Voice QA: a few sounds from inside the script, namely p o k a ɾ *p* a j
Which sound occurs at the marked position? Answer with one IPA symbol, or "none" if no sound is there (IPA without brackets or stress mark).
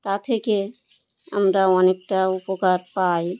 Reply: p